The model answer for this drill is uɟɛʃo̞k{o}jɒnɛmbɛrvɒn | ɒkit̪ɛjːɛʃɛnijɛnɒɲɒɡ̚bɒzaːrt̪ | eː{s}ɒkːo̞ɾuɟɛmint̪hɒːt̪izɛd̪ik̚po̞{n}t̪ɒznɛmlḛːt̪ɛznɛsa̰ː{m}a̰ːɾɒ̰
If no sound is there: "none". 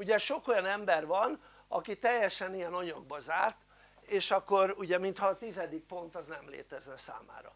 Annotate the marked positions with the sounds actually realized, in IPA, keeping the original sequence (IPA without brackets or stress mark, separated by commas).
o, ʃ, n, m